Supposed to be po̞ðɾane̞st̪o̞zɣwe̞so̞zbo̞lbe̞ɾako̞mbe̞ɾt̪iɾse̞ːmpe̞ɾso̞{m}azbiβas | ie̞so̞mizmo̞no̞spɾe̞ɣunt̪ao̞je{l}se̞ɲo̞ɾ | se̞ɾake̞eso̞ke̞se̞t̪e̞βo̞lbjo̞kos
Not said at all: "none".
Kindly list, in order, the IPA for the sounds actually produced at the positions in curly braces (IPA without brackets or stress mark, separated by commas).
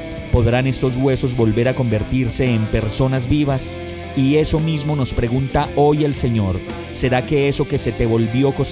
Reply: n, l